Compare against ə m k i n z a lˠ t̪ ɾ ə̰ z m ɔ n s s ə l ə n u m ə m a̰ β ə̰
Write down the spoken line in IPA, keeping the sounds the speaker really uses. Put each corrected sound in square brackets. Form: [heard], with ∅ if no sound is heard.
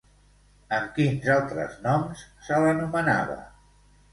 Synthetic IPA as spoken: ə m k i n z a lˠ t̪ ɾ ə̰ z [n] ɔ [m] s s ə l ə n u m ə [n] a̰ β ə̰